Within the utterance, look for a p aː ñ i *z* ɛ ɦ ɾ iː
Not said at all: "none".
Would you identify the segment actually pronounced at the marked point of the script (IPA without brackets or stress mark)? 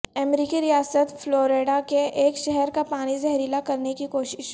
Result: z